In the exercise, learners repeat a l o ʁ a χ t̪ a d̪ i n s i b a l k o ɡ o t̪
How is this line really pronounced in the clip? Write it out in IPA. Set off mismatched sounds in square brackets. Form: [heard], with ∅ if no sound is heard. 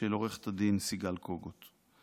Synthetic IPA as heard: [e] l o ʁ [e] χ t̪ a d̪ i n s i [ɡ] a l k o ɡ o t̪